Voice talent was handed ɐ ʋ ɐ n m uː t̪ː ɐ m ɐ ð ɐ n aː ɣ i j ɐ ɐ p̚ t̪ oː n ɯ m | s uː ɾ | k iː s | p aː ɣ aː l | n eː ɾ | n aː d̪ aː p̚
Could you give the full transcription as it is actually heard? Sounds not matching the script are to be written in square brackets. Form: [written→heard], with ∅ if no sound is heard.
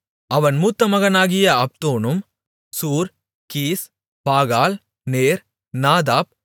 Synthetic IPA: ɐ ʋ ɐ n m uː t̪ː ɐ m ɐ [ð→ɣ] ɐ n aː ɣ [i→ɪ] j ɐ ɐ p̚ t̪ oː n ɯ m | s uː ɾ | k iː s | p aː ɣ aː l | n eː ɾ | n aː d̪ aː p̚